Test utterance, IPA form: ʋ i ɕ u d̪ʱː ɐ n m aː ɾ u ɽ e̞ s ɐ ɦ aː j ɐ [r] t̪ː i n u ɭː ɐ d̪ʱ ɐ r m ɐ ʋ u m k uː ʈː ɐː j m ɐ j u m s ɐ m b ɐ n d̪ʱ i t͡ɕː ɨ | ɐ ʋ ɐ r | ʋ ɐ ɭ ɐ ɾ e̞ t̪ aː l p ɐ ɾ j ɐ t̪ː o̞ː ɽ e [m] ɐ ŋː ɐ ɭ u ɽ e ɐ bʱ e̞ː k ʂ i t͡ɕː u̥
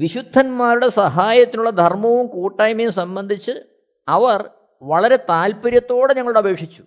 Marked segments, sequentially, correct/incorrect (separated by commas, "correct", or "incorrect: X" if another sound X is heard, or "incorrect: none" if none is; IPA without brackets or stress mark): incorrect: none, incorrect: ɲ